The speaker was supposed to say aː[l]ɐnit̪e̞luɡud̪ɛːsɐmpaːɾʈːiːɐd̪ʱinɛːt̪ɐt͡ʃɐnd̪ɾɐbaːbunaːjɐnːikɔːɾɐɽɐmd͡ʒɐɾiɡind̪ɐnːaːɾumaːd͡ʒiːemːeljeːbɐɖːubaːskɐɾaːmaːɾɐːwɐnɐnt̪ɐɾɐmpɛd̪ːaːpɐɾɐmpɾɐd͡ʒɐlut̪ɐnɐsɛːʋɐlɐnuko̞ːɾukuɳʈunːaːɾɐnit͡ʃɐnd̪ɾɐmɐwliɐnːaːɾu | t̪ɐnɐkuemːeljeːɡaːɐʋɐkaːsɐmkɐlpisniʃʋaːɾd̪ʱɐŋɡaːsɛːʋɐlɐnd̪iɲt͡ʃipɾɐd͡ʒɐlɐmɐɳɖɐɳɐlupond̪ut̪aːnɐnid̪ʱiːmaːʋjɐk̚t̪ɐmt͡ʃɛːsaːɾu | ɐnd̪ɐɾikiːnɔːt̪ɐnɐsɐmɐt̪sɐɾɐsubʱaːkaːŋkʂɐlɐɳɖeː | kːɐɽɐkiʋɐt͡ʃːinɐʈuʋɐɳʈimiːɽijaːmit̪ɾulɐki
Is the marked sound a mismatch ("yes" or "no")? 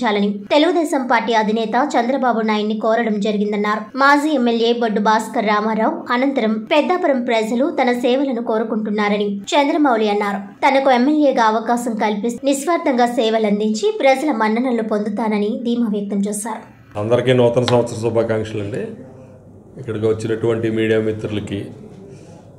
no